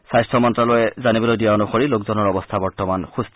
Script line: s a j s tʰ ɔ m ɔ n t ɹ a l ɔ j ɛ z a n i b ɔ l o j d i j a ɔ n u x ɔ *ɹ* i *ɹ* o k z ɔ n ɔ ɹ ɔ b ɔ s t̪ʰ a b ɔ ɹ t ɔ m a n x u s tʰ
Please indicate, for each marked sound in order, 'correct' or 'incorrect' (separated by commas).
correct, incorrect